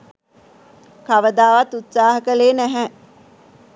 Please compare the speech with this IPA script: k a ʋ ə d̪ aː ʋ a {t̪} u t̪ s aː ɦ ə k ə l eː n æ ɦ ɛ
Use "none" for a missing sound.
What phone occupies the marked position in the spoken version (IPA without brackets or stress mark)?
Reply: t̪